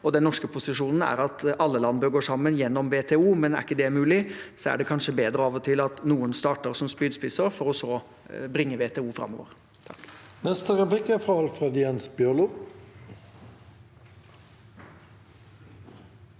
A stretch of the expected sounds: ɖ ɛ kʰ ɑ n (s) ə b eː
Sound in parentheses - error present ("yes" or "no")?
yes